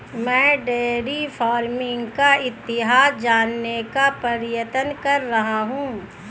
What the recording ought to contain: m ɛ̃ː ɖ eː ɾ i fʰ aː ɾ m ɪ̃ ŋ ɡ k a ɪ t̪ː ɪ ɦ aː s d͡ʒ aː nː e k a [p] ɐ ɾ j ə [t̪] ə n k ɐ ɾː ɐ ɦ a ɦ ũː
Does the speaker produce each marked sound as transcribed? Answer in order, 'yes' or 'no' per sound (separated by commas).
yes, yes